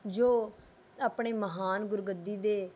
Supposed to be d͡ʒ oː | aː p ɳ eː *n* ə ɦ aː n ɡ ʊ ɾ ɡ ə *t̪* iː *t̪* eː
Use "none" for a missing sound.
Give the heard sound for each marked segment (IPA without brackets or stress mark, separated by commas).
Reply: m, d̪, d̪